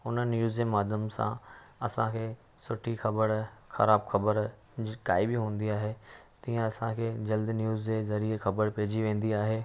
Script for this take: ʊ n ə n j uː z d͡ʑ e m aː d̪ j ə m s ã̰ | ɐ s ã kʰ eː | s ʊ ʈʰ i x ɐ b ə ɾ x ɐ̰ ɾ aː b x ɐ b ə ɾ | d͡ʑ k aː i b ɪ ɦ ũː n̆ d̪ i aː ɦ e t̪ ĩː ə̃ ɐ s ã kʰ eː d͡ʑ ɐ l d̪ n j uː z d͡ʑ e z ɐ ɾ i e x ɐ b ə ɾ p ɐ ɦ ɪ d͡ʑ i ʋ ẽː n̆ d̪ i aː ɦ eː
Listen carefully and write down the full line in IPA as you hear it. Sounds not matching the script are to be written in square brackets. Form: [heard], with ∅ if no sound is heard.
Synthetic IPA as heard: ʊ n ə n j uː z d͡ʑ e m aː d̪ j ə m s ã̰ | ɐ s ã kʰ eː | s ʊ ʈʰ i x ɐ b ə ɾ x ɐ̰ ɾ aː b x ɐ b ə ɾ | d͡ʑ k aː i b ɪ ɦ ũː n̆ d̪ i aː ɦ e t̪ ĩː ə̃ ɐ s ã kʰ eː d͡ʑ ɐ l d̪ n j uː z d͡ʑ e z ɐ ɾ i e x ɐ b ə ɾ p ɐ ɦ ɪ d͡ʑ i ʋ ẽː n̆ d̪ i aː ɦ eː